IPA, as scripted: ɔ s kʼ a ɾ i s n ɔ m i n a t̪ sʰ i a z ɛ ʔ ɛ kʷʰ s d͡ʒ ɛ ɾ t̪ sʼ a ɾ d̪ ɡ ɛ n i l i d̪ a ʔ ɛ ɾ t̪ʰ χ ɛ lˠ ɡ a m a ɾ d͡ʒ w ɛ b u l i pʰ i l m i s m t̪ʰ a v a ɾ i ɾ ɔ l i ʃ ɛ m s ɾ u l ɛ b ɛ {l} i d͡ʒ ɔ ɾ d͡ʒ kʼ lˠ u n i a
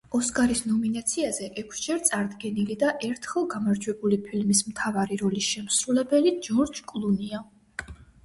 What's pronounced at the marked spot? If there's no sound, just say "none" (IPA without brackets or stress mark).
l